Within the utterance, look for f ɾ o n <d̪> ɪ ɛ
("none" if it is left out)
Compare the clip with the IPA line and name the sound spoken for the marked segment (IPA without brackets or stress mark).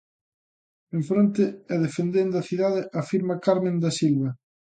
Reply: t̪